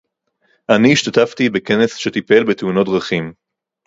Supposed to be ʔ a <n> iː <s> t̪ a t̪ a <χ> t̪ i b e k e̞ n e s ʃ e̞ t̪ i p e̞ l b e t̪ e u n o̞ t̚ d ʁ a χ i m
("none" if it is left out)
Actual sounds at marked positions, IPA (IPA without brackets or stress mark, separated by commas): n, ʃ, f